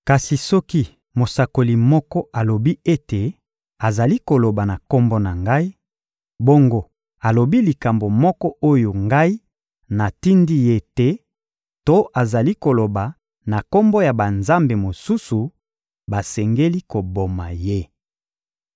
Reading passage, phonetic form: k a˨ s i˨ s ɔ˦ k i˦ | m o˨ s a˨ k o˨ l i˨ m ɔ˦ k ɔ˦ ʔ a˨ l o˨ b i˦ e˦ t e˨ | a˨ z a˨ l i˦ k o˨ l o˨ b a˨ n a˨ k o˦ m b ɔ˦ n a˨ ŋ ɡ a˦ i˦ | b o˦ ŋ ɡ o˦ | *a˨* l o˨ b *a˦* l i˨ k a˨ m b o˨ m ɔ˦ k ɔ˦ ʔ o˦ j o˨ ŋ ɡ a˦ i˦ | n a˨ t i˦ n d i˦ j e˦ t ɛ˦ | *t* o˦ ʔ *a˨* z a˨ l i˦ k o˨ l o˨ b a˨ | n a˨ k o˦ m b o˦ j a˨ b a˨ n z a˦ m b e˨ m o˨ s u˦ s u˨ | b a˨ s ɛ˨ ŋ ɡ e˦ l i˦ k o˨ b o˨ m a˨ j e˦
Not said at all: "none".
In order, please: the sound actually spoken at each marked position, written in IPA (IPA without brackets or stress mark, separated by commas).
a˨, i˦, t, a˨